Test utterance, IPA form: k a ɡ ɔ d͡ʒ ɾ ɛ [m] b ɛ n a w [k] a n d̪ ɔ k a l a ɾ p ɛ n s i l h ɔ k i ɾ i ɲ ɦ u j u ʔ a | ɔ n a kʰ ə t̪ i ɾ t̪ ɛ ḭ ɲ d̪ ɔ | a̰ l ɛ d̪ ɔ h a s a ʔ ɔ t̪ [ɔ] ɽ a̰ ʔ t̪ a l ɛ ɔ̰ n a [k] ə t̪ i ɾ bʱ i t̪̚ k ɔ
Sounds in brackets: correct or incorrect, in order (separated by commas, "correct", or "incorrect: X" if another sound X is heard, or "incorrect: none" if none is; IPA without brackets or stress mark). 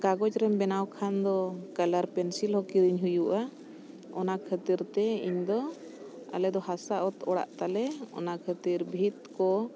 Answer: correct, incorrect: kʰ, correct, incorrect: kʰ